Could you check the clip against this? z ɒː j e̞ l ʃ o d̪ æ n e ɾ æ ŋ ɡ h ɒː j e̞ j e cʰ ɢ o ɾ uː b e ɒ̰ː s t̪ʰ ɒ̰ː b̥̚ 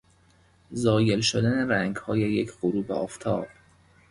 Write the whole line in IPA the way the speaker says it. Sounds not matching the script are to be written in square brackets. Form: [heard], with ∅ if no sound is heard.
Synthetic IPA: z ɒː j e̞ l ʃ o d̪ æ n e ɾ æ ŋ ɡ h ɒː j e̞ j e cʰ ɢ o ɾ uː b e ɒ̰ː [f] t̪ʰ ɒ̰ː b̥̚